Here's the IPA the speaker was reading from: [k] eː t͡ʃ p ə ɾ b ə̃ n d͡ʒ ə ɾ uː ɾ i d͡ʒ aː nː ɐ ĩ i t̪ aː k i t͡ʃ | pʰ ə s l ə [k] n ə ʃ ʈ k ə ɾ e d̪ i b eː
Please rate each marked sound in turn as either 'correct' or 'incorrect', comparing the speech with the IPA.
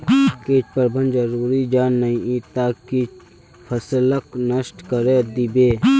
correct, correct

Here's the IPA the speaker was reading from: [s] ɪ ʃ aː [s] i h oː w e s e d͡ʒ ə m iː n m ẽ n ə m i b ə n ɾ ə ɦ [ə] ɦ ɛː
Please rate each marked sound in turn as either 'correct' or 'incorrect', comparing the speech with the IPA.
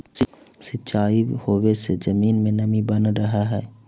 correct, incorrect, incorrect

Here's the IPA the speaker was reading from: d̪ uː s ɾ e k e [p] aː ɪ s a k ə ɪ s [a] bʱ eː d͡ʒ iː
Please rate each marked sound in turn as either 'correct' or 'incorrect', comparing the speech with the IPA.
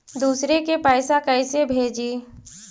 correct, incorrect

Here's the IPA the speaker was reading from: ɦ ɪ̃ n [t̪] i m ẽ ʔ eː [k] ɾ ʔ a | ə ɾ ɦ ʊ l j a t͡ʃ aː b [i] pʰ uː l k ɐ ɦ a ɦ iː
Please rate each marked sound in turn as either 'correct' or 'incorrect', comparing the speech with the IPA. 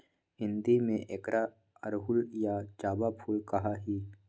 incorrect, correct, incorrect

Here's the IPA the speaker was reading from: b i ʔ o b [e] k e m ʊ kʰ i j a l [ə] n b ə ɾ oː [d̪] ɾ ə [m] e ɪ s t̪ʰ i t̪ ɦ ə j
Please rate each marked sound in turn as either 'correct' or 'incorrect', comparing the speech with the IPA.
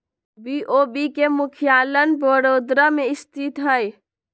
incorrect, correct, correct, correct

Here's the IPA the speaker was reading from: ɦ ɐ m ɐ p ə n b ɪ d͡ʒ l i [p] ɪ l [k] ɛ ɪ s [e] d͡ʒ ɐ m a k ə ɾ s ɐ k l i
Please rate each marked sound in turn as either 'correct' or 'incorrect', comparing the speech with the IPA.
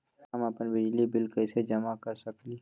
incorrect, correct, correct

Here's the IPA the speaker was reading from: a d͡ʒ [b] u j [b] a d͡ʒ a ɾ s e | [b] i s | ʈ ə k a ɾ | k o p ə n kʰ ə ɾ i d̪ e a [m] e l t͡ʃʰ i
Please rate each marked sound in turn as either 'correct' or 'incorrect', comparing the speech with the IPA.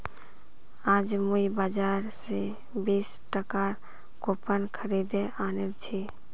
incorrect, correct, correct, incorrect

